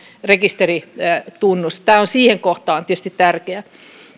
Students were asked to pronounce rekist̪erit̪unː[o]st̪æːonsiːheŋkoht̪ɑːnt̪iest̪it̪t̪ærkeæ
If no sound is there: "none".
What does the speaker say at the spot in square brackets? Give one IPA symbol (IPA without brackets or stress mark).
u